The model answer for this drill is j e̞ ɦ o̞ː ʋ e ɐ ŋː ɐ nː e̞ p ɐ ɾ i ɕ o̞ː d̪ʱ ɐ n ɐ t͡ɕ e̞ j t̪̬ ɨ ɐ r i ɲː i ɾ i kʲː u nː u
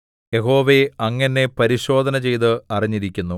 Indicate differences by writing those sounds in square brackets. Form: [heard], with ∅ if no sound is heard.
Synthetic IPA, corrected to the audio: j e̞ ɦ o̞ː ʋ e ɐ ŋː ɐ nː e̞ p ɐ ɾ i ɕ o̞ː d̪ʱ ɐ n ɐ t͡ɕ e̞ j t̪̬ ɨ ɐ r i ɲː i ɾ i kʲː u nː u

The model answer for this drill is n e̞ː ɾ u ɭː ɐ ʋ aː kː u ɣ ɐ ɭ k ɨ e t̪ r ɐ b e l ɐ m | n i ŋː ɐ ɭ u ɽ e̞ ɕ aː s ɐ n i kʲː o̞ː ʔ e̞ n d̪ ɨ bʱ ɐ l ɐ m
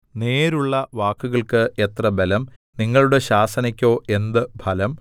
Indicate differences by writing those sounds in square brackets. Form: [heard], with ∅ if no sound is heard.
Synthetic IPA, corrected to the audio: n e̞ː ɾ u ɭː ɐ ʋ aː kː u ɣ ɐ ɭ k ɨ e t̪ r ɐ b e l ɐ m | n i ŋː ɐ ɭ u ɽ e̞ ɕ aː s ɐ n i kʲː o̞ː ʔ e̞ n d̪ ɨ bʱ ɐ l ɐ m

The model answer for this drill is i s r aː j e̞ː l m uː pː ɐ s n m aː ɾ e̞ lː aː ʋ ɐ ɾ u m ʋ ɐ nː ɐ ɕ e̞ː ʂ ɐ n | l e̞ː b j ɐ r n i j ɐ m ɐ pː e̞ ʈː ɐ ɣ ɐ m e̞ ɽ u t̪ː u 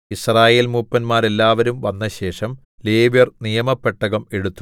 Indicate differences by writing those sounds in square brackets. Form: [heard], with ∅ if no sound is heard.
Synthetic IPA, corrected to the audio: i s r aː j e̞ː l m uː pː ɐ [∅] n m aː ɾ e̞ lː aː ʋ ɐ ɾ u m ʋ ɐ nː ɐ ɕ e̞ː ʂ ɐ [m] | l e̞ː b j ɐ r n i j ɐ m ɐ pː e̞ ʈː ɐ ɣ ɐ m e̞ ɽ u t̪ː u

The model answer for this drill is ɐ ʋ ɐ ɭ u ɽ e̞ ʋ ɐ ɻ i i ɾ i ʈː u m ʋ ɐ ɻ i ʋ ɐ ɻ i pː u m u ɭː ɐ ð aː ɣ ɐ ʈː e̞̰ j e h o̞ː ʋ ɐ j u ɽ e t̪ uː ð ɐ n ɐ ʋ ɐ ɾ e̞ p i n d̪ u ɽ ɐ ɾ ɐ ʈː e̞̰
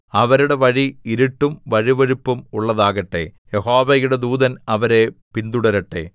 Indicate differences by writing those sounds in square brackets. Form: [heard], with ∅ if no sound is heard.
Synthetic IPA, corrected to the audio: ɐ ʋ ɐ [ɾ] u ɽ e̞ ʋ ɐ ɻ i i ɾ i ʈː u m ʋ ɐ ɻ i ʋ ɐ ɻ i pː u m u ɭː ɐ ð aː ɣ ɐ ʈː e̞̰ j e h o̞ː ʋ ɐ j u ɽ e [d̪] uː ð ɐ n ɐ ʋ ɐ ɾ e̞ p i n d̪ u ɽ ɐ ɾ ɐ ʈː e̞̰

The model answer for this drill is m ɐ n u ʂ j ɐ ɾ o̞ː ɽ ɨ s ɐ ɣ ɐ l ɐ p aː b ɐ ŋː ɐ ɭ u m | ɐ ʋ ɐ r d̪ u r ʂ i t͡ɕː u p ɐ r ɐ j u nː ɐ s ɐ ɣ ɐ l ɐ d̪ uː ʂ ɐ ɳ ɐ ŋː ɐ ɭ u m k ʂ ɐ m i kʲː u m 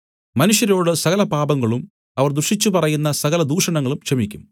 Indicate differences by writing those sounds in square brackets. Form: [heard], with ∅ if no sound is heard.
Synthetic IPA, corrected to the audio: m ɐ n u ʂ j ɐ ɾ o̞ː ɽ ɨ s ɐ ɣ ɐ l ɐ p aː b ɐ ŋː ɐ ɭ u m | ɐ ʋ ɐ r d̪ u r ʂ i t͡ɕː u p ɐ r ɐ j u nː ɐ s ɐ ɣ ɐ l ɐ d̪ uː ʂ ɐ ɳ ɐ ŋː ɐ ɭ u m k ʂ ɐ m i kʲː u m

